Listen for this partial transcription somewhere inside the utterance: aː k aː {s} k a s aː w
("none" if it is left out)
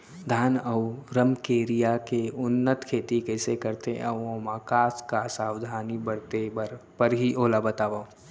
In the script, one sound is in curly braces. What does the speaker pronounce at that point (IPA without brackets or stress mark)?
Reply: s